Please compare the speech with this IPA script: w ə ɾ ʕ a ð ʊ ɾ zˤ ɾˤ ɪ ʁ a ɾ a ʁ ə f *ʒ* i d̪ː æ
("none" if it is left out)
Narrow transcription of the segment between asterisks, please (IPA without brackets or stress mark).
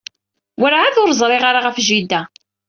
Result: ʒ